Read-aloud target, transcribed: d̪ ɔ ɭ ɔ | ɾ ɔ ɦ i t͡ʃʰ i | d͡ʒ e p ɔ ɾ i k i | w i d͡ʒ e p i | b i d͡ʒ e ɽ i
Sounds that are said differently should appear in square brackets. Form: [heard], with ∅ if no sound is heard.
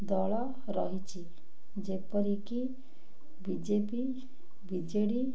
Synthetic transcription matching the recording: d̪ ɔ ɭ ɔ | ɾ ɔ ɦ i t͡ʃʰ i | d͡ʒ e p ɔ ɾ i k i | [b] i d͡ʒ e p i | b i d͡ʒ e ɽ i